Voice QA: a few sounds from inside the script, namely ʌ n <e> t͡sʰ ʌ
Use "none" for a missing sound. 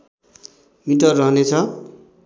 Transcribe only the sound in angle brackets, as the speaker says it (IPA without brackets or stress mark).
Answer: e